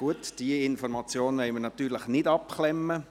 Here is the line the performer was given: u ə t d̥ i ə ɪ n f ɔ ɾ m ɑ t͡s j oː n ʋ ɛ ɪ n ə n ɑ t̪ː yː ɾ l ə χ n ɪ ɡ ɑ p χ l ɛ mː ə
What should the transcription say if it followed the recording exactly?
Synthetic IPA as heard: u ə t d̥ i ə ɪ n f ɔ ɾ m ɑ t͡s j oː n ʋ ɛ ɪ m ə n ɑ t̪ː yː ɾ l ə χ n ɪ d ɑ p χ l ɛ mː ə